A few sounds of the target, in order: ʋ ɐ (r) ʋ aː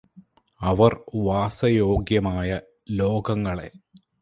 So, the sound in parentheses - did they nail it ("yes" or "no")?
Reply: yes